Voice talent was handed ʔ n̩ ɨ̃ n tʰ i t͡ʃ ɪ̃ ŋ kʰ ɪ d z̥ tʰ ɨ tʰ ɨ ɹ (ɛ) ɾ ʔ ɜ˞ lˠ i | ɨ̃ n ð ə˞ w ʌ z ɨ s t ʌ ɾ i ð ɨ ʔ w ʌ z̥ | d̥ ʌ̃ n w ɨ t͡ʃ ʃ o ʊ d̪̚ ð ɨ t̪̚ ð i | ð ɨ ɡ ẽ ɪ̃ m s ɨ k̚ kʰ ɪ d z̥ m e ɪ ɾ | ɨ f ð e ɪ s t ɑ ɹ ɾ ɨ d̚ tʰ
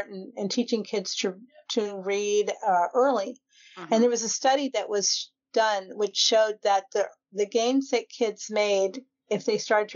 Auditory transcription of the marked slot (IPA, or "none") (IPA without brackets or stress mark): i